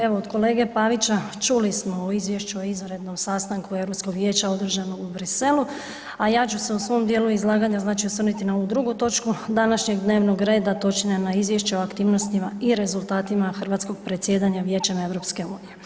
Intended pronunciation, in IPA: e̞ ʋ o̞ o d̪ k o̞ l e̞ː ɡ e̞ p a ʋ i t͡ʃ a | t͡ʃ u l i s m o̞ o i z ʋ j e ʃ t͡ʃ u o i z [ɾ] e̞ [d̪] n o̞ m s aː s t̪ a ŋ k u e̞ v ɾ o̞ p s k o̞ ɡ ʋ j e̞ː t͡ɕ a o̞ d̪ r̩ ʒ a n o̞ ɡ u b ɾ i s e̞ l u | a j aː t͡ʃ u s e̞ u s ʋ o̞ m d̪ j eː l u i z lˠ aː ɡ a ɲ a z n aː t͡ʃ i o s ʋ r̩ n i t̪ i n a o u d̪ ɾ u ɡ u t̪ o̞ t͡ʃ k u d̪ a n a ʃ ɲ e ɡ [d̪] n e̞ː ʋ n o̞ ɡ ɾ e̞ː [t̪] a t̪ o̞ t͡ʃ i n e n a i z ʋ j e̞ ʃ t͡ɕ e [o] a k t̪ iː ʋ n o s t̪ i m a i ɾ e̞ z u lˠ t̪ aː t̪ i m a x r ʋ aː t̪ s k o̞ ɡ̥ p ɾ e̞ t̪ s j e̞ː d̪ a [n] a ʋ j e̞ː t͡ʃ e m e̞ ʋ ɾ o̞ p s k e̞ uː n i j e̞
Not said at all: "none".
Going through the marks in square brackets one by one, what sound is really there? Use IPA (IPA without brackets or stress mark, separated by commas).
ɾ, d̪, d̪, d̪, o, ɲ